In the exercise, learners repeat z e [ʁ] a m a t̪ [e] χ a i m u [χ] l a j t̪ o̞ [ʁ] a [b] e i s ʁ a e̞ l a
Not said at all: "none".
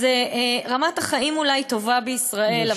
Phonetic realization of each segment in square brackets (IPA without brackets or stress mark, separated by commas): ʁ, a, none, v, b